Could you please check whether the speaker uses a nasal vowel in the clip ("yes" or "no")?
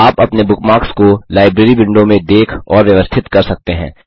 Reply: yes